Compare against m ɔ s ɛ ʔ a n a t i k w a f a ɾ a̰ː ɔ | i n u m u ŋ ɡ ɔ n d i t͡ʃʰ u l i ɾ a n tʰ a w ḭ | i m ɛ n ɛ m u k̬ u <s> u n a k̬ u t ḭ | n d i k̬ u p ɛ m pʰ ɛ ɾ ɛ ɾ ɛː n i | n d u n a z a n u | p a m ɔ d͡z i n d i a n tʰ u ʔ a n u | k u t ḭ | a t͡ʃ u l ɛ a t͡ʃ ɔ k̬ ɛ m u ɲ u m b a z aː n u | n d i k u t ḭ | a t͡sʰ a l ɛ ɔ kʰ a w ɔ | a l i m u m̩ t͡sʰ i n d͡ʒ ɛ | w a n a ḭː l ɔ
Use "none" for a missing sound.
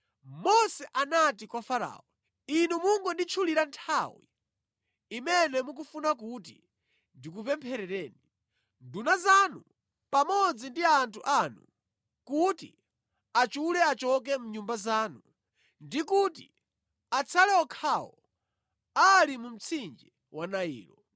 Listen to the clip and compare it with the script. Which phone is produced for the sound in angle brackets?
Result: f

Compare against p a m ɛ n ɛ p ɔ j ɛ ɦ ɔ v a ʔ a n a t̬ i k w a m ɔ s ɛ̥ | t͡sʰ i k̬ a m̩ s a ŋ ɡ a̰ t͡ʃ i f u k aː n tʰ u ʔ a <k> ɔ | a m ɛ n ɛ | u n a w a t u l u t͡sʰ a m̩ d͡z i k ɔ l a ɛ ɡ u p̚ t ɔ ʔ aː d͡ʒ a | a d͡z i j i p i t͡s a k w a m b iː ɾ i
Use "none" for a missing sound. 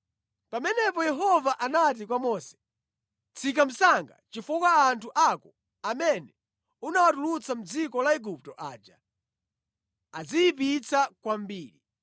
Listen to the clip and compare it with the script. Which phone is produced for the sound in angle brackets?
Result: k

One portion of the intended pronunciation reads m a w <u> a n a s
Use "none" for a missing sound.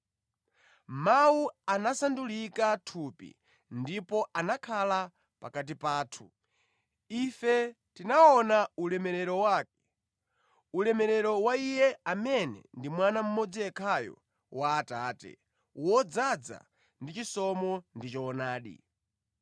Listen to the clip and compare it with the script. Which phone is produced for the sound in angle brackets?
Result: u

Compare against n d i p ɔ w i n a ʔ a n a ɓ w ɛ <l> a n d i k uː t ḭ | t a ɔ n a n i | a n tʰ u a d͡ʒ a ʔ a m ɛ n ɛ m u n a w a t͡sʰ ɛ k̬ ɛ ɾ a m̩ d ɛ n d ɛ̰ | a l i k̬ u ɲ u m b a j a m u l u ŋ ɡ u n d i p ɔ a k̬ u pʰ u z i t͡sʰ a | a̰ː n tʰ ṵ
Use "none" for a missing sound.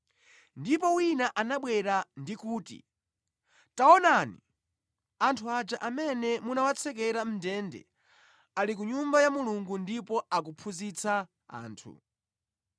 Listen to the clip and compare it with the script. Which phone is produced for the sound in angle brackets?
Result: ɾ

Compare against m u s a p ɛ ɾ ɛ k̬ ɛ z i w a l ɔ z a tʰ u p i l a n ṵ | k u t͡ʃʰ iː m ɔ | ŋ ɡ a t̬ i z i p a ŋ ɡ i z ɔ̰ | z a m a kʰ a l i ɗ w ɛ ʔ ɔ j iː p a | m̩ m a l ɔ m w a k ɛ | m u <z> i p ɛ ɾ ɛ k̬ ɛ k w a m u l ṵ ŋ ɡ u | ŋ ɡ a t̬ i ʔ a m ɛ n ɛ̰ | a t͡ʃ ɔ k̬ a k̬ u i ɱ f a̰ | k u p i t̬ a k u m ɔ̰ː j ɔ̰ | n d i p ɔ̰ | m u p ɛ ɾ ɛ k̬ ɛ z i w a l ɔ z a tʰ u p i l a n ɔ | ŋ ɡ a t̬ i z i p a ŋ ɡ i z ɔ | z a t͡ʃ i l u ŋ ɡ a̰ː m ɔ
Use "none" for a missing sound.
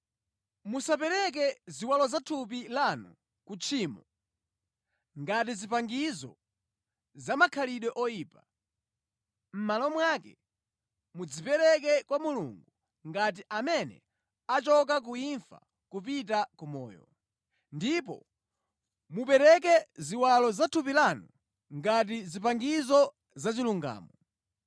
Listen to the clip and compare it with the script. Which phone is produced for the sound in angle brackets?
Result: d͡z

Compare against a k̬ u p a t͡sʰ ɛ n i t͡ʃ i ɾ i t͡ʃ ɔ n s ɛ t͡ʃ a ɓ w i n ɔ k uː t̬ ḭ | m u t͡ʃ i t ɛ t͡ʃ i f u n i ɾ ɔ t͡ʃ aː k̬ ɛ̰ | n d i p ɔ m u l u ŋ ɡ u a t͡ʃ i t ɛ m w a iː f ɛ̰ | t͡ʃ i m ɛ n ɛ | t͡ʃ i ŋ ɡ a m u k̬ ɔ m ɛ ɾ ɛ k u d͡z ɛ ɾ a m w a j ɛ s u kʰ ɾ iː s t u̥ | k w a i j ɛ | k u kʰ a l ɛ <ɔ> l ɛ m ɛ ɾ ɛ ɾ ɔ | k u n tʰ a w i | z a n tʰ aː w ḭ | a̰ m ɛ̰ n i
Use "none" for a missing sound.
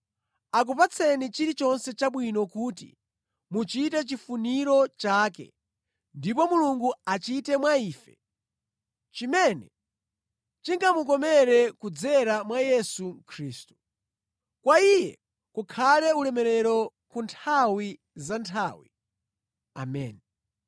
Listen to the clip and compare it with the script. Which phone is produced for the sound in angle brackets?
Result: u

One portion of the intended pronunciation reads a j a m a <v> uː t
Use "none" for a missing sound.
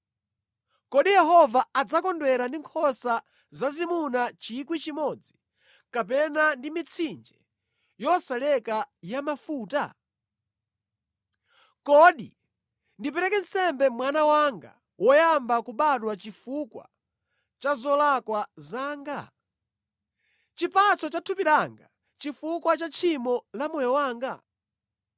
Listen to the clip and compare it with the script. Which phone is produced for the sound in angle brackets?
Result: f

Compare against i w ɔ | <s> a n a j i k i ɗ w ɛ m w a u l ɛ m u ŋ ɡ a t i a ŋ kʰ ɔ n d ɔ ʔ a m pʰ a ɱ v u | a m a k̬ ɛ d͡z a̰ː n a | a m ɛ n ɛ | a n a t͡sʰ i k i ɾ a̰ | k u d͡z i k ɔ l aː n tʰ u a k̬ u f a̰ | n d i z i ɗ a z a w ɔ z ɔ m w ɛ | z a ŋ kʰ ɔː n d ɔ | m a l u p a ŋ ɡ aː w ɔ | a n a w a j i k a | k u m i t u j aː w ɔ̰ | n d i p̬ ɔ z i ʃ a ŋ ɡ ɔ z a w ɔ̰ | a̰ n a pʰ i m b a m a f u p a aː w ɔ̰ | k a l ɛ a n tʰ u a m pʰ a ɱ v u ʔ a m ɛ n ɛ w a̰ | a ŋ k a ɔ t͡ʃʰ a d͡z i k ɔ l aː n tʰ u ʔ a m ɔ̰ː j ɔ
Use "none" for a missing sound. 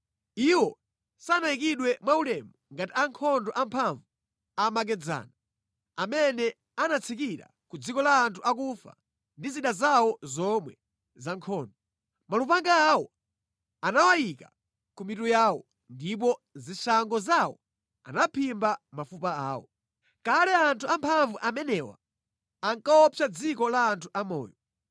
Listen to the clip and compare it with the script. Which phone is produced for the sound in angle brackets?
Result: s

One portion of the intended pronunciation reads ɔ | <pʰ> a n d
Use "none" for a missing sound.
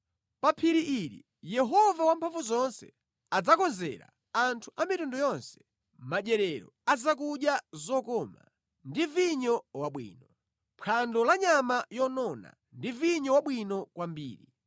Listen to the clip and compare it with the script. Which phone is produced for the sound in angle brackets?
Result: pʰ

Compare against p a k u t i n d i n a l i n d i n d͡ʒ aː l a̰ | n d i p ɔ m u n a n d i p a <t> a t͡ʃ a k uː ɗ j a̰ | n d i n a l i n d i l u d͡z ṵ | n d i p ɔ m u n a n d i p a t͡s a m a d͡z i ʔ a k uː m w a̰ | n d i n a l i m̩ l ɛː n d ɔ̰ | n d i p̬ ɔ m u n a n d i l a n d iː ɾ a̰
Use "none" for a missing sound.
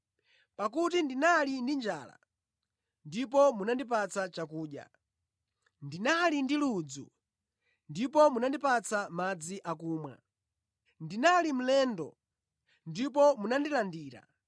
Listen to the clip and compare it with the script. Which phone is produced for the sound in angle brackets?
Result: t͡s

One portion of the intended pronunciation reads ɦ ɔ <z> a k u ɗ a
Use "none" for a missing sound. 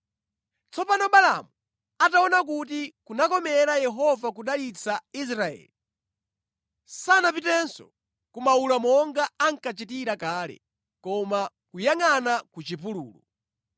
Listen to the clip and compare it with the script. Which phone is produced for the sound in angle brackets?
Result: v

